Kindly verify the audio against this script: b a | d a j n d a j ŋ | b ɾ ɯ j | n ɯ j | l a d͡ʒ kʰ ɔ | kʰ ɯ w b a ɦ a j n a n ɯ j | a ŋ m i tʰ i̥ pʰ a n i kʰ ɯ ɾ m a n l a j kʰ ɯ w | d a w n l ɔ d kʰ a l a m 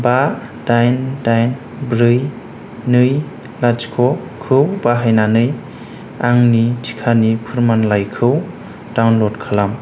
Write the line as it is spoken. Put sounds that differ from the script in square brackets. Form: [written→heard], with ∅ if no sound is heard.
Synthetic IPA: b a | d a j n d a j [ŋ→n] | b ɾ ɯ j | n ɯ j | l a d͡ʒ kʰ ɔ | kʰ ɯ w b a ɦ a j n a n ɯ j | a ŋ [m→n] i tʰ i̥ [pʰ→kʰ] a n i [kʰ→pʰ] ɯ ɾ m a n l a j kʰ ɯ w | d a w n l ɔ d kʰ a l a m